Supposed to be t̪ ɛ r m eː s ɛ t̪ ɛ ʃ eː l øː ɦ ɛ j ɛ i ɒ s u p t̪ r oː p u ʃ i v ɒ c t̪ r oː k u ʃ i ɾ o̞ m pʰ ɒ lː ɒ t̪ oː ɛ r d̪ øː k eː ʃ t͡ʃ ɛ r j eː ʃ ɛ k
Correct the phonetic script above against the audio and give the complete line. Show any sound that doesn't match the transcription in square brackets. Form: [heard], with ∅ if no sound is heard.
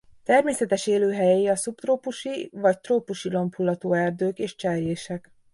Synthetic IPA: t̪ ɛ r m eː s ɛ t̪ ɛ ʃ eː l øː ɦ ɛ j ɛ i ɒ s u p t̪ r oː p u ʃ i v ɒ c t̪ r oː [p] u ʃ i [l] o̞ m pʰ [u] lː ɒ t̪ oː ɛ r d̪ øː k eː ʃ t͡ʃ ɛ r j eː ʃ ɛ k